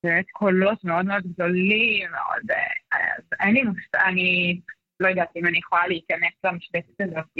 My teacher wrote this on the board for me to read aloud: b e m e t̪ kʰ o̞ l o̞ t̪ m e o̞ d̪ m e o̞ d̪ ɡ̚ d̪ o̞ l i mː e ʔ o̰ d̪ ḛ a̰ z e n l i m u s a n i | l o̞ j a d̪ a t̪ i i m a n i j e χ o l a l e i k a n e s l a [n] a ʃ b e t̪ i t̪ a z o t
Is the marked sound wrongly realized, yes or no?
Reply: yes